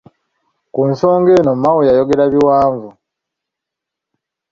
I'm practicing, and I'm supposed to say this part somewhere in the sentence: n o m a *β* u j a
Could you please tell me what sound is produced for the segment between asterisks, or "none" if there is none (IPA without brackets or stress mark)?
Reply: w